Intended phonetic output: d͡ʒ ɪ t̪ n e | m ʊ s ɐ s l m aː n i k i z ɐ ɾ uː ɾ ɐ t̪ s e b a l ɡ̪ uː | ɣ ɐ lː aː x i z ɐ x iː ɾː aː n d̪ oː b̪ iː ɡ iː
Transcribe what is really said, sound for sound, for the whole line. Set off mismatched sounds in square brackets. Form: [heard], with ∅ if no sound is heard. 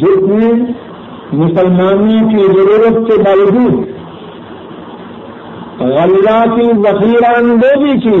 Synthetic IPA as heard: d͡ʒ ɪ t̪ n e | m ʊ s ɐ [∅] l m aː n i k i z ɐ ɾ uː ɾ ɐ t̪ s e b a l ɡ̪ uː | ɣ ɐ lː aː [k] i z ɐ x iː [ɾ] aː n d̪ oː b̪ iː [k] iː